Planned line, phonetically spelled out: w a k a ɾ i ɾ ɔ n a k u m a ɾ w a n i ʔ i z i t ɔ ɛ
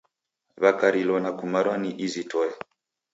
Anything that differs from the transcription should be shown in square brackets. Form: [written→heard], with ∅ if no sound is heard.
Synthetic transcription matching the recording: [w→β] a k a ɾ i [ɾ→l] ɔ n a k u m a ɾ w a n i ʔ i z i t ɔ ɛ